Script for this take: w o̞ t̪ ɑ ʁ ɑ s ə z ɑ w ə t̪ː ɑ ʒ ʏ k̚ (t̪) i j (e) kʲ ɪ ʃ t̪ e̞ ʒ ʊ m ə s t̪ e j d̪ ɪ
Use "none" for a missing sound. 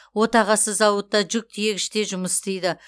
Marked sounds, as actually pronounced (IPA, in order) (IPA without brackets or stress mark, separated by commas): t̪ʰ, e